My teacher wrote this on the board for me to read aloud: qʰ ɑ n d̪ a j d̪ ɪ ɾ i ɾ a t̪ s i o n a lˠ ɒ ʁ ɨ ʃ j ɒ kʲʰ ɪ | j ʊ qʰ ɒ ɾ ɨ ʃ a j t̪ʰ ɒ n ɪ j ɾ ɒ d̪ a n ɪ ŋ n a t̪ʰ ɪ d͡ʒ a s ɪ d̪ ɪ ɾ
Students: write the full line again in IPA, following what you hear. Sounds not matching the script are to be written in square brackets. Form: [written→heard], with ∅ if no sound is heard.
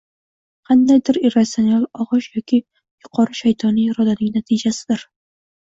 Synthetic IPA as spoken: qʰ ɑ n d̪ a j d̪ ɪ ɾ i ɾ a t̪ s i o n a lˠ ɒ ʁ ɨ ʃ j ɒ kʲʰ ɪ | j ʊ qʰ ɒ ɾ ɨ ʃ a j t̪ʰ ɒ n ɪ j ɾ ɒ d̪ a n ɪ ŋ n a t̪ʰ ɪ d͡ʒ a s ɪ d̪ ɪ ɾ